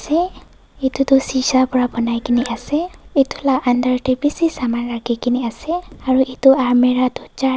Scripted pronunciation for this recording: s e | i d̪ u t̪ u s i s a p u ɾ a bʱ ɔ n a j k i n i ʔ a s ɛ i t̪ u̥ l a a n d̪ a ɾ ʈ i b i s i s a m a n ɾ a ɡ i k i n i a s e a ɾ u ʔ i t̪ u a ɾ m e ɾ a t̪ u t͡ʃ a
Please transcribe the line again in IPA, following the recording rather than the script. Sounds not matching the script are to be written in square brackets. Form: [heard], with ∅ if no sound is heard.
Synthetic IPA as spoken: s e | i [t̪] u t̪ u s i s a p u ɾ a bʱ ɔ n a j k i n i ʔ a s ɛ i t̪ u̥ l a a n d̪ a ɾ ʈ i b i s i s a m a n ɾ a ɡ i k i n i a s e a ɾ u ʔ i t̪ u a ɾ m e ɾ a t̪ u t͡ʃ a